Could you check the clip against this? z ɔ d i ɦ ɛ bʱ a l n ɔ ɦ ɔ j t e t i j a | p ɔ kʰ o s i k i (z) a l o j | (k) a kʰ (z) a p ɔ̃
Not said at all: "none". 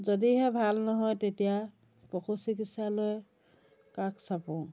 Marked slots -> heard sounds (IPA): s, k, s

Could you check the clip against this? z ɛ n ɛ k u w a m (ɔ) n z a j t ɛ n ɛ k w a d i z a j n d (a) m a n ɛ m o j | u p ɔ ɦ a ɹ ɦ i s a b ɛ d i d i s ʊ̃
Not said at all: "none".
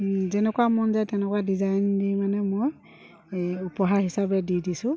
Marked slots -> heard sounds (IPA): ɔ, i

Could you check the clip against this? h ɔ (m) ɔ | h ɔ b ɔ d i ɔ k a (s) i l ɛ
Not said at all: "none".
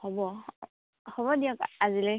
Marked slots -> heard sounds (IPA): b, z

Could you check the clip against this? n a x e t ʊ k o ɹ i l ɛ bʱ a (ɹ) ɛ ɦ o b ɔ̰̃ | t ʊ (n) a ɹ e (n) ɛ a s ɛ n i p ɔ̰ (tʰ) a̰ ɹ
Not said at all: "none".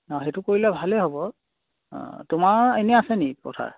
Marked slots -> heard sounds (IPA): l, m, n, tʰ

